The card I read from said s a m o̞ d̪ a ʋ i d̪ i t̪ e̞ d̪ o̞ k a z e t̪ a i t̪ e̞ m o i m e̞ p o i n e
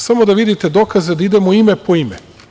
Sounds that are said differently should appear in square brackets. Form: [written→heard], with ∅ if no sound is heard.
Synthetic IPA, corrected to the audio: s a m o̞ d̪ a ʋ i d̪ i t̪ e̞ d̪ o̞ k a z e [t̪→d̪] a i [t̪→d̪] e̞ m o i m e̞ p o i [n→m] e